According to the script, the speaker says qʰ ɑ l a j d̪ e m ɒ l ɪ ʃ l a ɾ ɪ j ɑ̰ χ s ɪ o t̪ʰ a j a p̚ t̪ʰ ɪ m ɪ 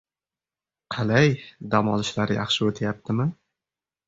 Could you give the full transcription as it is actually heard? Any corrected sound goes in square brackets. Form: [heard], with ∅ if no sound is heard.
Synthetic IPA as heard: qʰ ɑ l a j d̪ [a] m ɒ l ɪ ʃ l a ɾ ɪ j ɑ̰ χ [ʃ] ɪ o t̪ʰ a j a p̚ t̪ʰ ɪ m ɪ

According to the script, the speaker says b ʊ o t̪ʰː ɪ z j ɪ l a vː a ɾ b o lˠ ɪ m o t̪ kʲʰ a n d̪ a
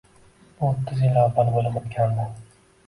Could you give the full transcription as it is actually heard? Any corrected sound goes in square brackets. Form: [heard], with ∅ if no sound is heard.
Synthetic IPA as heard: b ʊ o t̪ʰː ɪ z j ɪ l a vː a [l] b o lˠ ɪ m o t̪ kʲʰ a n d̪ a

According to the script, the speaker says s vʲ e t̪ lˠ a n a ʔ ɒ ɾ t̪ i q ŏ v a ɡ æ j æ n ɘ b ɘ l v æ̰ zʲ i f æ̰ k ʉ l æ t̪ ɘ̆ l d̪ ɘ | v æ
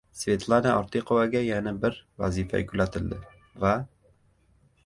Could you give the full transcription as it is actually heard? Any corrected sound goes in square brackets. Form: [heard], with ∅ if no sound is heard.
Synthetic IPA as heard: s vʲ e t̪ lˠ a n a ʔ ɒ ɾ t̪ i q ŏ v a ɡ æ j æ n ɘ b ɘ [ɾ] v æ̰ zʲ i f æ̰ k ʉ l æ t̪ ɘ̆ l d̪ ɘ | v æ

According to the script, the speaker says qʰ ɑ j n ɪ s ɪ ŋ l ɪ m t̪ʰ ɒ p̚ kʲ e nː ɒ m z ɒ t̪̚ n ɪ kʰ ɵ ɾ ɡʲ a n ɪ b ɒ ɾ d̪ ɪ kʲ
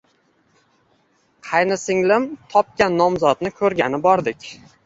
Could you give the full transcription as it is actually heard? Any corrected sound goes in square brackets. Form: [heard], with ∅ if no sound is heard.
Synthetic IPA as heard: qʰ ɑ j n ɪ s ɪ ŋ l ɪ m t̪ʰ ɒ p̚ kʲ [a] nː ɒ m z ɒ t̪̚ n ɪ kʰ ɵ ɾ ɡʲ a n ɪ b ɒ ɾ d̪ ɪ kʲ

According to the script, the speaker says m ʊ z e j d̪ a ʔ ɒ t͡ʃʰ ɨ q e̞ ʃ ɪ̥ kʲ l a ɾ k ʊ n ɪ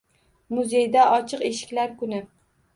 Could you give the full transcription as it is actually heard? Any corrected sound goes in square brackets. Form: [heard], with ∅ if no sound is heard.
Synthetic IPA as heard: m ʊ z e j d̪ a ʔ ɒ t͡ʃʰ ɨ q e̞ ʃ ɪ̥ kʲ l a ɾ k ʊ n ɪ

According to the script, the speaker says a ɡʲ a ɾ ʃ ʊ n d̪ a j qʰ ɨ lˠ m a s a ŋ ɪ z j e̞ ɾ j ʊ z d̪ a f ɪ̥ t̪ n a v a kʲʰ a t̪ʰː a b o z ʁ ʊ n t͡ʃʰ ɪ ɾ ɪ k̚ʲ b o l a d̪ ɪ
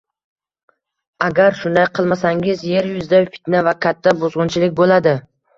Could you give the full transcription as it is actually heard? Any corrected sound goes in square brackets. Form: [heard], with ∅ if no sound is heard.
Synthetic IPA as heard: a ɡʲ a ɾ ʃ ʊ n d̪ a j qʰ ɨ lˠ m a s a ŋ ɪ z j e̞ ɾ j ʊ z d̪ a f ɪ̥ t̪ n a v a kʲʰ a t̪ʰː a b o z ʁ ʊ n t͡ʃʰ ɪ [l] ɪ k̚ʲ b o l a d̪ ɪ

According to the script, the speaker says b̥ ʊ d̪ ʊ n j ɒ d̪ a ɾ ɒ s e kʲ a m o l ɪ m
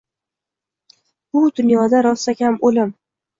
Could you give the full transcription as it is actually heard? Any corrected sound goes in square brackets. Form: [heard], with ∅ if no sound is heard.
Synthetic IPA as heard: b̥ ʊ d̪ ʊ n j ɒ d̪ a ɾ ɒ s [a] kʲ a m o l ɪ m

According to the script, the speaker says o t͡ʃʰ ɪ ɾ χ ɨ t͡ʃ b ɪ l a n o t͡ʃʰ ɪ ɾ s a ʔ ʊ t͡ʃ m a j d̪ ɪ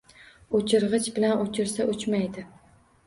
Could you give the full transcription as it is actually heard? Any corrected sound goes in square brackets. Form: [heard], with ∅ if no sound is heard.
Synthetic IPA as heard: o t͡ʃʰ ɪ ɾ [ʁ] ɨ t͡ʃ b ɪ l a n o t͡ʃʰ ɪ ɾ s a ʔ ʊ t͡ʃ m a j d̪ ɪ

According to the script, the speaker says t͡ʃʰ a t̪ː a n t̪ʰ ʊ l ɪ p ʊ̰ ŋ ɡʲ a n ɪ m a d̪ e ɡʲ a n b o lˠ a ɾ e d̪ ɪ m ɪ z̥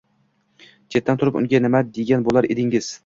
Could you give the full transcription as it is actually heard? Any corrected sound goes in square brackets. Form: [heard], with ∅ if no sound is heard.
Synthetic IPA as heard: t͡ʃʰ [e] t̪ː a n t̪ʰ ʊ [ɾ] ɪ p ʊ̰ ŋ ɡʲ a n ɪ m a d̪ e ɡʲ a n b o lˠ a ɾ e d̪ ɪ [ŋ] ɪ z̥

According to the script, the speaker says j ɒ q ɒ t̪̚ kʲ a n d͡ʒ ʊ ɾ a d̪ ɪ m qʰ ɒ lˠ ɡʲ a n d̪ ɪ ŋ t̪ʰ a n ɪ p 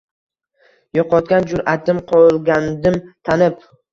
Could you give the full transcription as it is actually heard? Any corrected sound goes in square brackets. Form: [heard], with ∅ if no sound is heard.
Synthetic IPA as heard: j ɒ q ɒ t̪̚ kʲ a n d͡ʒ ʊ ɾ a [t̪] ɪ m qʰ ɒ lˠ ɡʲ a n d̪ ɪ [m] t̪ʰ a n ɪ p

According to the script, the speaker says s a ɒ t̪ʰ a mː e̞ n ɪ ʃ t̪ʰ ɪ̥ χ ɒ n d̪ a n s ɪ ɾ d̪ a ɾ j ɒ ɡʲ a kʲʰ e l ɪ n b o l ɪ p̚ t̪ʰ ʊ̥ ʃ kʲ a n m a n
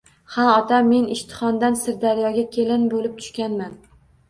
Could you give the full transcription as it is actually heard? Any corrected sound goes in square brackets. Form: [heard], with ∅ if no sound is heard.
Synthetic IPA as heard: [h] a ɒ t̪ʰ a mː e̞ n ɪ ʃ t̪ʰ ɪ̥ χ ɒ n d̪ a n s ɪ ɾ d̪ a ɾ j ɒ ɡʲ a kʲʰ e l ɪ n b o l ɪ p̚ t̪ʰ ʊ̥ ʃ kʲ a n m a n

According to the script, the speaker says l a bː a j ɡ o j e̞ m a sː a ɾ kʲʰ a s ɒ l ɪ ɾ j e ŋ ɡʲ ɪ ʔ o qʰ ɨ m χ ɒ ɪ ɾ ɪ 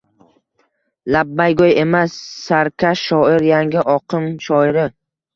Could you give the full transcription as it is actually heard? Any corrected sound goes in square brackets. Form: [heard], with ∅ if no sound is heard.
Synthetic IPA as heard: l a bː a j ɡ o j e̞ m a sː a ɾ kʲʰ a [ʃ] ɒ [∅] ɪ ɾ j [a] ŋ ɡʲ ɪ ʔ [ɒ] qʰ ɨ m [ʃ] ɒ ɪ ɾ ɪ

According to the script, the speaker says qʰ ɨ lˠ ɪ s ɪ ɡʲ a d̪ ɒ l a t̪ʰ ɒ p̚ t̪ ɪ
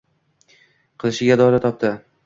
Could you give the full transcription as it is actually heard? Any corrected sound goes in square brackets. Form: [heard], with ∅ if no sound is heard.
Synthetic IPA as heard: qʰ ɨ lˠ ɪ [ʃ] ɪ ɡʲ a d̪ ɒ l a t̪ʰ ɒ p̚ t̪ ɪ

